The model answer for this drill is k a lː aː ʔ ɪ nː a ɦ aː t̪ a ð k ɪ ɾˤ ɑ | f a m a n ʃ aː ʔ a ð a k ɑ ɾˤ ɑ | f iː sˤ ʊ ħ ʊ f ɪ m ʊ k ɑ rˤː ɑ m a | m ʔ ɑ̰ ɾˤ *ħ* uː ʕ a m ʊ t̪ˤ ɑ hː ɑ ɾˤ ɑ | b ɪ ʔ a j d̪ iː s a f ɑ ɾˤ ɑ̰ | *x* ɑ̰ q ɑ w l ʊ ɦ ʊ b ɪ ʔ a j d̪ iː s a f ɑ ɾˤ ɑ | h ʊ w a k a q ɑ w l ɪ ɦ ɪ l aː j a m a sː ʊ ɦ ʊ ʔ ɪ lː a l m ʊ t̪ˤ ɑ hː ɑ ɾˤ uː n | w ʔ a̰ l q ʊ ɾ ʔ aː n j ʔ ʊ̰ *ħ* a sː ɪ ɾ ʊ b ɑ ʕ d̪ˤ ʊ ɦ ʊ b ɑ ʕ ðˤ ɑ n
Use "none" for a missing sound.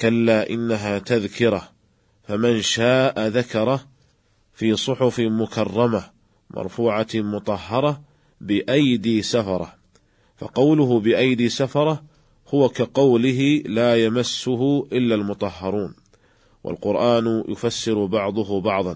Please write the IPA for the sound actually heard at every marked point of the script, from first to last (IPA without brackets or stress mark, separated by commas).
f, f, f